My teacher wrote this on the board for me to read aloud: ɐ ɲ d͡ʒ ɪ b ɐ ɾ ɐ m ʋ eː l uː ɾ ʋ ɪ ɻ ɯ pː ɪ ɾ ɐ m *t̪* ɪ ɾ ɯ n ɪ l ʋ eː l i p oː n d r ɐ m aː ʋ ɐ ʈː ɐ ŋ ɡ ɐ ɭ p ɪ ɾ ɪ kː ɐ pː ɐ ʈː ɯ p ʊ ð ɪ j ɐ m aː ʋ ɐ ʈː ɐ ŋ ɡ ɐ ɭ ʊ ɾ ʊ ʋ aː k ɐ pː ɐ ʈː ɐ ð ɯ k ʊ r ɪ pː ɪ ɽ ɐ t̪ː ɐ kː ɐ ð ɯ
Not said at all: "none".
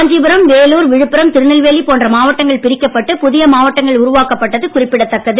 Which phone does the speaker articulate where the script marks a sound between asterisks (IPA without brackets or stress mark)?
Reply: t̪